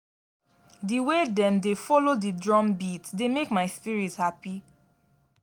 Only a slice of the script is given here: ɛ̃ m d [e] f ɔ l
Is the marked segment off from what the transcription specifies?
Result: no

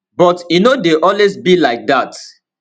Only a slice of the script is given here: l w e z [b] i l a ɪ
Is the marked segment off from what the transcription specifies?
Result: no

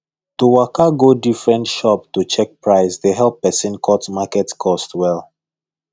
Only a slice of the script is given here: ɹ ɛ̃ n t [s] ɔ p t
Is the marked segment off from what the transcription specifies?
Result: yes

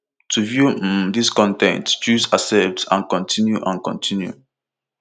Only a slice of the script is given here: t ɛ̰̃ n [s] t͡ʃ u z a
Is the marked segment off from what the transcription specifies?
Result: yes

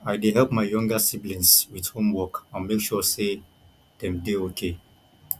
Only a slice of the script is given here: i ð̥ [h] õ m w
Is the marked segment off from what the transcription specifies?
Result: no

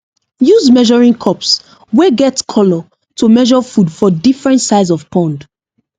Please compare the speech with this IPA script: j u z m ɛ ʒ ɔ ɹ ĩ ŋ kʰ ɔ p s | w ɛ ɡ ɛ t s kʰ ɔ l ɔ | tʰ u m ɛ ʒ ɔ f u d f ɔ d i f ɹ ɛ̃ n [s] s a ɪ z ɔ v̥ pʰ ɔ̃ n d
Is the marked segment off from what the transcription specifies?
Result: yes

